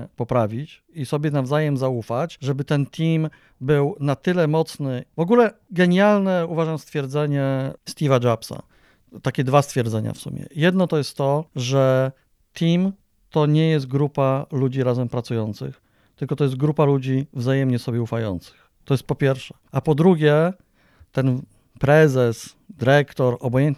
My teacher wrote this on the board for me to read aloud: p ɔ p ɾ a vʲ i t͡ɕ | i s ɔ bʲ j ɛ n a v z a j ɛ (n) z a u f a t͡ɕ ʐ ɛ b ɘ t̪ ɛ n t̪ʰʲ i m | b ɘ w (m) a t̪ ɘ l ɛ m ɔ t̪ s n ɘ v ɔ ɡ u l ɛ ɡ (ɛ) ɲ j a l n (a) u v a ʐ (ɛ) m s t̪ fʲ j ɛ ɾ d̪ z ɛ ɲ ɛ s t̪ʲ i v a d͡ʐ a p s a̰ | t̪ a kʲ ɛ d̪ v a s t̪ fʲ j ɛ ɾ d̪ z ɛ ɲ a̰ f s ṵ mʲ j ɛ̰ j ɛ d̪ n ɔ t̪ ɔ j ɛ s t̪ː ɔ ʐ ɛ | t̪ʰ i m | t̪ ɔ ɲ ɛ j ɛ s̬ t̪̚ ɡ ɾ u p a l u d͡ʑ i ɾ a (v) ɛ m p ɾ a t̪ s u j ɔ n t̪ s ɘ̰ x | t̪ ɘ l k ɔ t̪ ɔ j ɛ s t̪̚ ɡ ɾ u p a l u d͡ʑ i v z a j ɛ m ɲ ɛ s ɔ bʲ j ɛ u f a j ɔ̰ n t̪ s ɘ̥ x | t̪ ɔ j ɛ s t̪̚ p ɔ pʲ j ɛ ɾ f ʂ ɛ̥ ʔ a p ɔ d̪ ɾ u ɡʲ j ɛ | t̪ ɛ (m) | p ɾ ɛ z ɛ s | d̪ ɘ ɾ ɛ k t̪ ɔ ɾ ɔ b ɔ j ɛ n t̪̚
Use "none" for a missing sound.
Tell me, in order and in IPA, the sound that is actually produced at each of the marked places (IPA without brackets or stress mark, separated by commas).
m, n, ɛ, ɛ, a, z, n